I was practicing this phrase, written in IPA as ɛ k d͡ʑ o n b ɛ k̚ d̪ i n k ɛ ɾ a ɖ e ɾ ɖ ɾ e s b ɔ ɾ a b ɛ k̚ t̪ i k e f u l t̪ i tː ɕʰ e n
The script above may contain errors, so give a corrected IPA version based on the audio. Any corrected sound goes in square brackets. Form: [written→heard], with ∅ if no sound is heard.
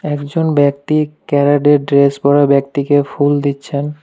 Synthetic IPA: ɛ k d͡ʑ o n b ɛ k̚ [d̪→t̪] i [n→∅] k ɛ ɾ a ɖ e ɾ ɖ ɾ e s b ɔ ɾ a b ɛ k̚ t̪ i k e f u l [t̪→d̪] i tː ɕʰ e n